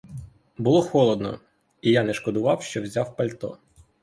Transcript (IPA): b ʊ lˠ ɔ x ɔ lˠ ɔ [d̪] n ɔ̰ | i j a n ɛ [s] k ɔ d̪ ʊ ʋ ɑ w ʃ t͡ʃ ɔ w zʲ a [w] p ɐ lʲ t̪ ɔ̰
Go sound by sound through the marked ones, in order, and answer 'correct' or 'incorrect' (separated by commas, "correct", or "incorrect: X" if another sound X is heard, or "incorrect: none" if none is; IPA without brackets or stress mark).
correct, incorrect: ʃ, correct